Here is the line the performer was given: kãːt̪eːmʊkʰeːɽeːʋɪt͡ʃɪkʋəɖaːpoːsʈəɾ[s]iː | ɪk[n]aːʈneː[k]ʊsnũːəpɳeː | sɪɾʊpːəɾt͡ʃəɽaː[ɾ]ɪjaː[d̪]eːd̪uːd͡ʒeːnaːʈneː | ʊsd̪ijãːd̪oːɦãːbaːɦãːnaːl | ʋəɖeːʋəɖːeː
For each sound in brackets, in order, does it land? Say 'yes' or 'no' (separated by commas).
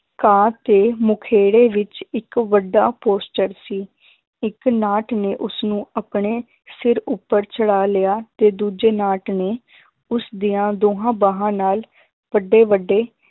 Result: yes, yes, no, no, no